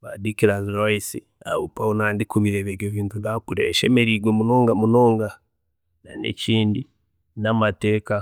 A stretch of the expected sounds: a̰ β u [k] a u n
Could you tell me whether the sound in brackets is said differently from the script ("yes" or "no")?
yes